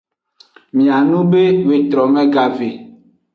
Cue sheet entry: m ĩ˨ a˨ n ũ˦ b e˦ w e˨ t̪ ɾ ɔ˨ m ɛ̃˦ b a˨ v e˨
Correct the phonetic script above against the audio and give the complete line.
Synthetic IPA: m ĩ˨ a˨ n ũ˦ b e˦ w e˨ t̪ ɾ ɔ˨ m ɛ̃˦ ɡ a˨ v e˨